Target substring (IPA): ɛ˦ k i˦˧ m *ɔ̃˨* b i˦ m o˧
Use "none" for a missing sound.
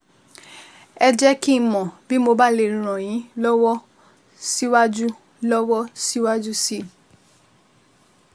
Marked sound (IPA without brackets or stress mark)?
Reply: ɔ̃˨